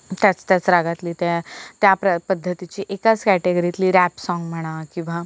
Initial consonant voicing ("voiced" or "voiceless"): voiceless